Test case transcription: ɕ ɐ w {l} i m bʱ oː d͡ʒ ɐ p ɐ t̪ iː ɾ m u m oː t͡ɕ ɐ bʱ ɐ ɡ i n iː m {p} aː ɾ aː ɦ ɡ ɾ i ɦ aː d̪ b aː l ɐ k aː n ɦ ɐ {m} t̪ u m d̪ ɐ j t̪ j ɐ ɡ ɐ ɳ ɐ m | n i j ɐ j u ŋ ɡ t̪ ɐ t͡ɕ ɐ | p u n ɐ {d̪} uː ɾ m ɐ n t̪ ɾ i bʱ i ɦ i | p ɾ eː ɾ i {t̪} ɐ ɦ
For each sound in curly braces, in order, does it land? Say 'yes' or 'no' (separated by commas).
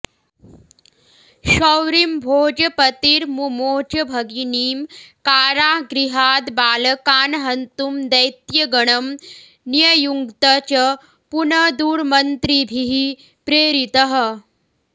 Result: no, no, no, yes, yes